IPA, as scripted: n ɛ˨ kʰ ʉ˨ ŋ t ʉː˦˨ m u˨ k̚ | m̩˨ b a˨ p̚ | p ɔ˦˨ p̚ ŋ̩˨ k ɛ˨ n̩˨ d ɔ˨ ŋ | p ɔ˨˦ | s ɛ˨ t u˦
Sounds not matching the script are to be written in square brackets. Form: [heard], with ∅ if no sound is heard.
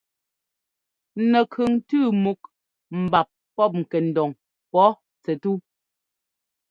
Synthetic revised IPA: n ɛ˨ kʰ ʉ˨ ŋ t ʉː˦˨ m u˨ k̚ | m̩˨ b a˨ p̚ | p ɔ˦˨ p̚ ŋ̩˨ k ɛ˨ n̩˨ d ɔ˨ ŋ | p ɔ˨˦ | [t͡s] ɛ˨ t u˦